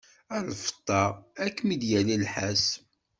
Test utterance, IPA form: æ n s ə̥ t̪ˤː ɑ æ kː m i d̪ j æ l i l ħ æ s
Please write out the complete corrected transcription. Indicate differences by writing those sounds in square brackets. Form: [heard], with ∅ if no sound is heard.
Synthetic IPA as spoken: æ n [f] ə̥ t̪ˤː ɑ æ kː m i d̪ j æ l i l ħ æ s